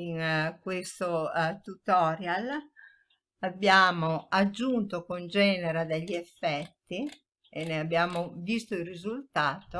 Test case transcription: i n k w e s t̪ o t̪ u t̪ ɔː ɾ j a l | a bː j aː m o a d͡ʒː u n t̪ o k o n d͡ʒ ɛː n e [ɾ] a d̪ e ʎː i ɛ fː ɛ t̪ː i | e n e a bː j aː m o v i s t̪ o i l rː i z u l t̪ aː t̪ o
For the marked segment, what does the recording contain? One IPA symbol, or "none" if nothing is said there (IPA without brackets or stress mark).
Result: ɾ